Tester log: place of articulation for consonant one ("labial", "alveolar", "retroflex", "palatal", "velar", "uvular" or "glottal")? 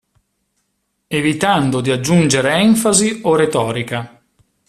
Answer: labial